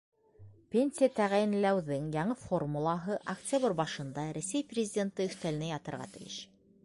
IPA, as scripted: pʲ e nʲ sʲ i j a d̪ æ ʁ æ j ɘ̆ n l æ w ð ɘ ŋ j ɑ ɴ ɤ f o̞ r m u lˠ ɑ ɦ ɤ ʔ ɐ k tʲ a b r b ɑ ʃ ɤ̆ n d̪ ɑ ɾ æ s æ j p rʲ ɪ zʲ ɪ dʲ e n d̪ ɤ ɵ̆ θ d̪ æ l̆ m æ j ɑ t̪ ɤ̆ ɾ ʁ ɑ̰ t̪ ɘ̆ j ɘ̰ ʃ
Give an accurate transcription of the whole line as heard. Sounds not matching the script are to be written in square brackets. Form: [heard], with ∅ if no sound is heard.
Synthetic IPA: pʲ e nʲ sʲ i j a [t̪] æ ʁ æ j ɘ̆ n l æ w ð ɘ ŋ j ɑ ɴ ɤ f o̞ r m u lˠ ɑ ɦ ɤ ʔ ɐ k tʲ a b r b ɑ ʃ ɤ̆ n d̪ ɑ ɾ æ s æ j p rʲ ɪ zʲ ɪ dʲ e n [t̪] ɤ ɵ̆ θ [t̪] æ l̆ [n] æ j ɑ t̪ ɤ̆ ɾ ʁ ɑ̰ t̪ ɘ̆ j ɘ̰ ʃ